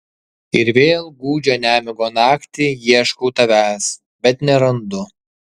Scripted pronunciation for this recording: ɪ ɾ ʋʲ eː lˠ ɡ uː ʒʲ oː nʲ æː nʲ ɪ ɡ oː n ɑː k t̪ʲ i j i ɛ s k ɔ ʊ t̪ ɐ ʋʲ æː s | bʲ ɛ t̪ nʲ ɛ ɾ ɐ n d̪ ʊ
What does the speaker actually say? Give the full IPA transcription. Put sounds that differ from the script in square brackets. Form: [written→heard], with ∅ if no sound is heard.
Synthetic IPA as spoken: ɪ ɾ ʋʲ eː lˠ ɡ uː [ʒʲ→d͡ʒʲ] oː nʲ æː [nʲ→mʲ] ɪ ɡ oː n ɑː k t̪ʲ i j i ɛ [s→ʃ] k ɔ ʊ t̪ ɐ ʋʲ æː s | bʲ ɛ t̪ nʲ ɛ ɾ ɐ n d̪ ʊ